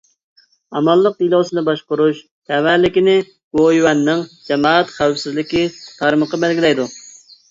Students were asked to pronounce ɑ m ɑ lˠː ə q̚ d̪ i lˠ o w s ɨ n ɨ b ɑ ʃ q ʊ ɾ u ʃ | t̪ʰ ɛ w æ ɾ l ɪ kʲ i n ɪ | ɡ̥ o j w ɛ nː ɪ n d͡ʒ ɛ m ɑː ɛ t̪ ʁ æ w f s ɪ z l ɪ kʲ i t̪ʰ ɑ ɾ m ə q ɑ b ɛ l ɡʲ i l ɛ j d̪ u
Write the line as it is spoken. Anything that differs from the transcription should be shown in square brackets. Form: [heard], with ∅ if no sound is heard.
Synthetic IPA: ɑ m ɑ lˠː ə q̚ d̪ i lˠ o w s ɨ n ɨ b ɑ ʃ q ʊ ɾ u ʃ | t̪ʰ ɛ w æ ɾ l ɪ kʲ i n ɪ | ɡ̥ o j w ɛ nː ɪ [ŋ] d͡ʒ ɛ m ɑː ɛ t̪ [χ] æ w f s ɪ z l ɪ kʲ i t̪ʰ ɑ ɾ m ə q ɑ b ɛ l ɡʲ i l ɛ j d̪ u